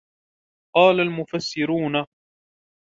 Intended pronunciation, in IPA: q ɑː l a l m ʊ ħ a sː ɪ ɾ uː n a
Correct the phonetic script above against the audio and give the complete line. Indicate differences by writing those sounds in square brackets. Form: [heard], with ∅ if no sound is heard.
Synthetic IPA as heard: q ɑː l a l m ʊ [f] a sː ɪ ɾ uː n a